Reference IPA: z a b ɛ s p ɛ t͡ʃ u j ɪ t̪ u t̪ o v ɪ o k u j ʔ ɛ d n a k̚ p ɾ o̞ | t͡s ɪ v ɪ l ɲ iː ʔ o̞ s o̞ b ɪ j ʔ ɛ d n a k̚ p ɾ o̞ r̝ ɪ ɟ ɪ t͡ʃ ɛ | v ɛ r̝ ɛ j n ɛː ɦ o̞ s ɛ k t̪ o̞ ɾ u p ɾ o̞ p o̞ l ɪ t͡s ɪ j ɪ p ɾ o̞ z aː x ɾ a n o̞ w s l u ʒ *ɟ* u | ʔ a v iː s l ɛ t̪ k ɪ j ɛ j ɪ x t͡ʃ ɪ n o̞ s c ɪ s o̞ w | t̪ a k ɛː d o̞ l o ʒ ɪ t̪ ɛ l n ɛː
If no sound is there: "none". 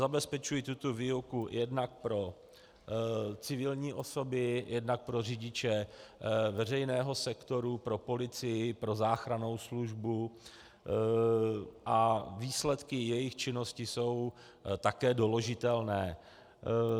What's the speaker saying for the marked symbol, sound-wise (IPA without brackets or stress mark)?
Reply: b